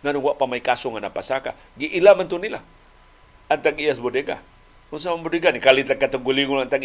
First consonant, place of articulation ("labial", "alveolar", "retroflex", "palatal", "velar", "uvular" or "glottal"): velar